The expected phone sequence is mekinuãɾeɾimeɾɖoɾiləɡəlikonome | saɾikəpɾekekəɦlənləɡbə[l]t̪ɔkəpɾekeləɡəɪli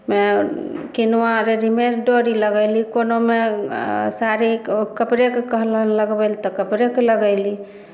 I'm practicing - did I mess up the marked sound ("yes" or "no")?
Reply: no